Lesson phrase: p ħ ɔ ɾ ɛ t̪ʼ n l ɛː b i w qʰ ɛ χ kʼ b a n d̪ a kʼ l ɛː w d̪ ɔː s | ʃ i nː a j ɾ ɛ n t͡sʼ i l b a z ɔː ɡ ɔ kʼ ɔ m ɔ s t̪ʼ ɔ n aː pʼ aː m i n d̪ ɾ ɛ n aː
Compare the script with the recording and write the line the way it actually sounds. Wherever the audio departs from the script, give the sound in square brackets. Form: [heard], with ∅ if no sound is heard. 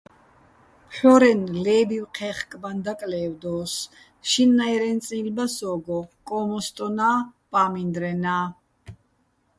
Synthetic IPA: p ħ ɔ ɾ ɛ [∅] n l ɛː b i w qʰ ɛ χ kʼ b a n d̪ a kʼ l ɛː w d̪ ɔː s | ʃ i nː a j ɾ ɛ n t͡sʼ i l b a [s] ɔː ɡ ɔ kʼ ɔ m ɔ s t̪ʼ ɔ n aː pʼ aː m i n d̪ ɾ ɛ n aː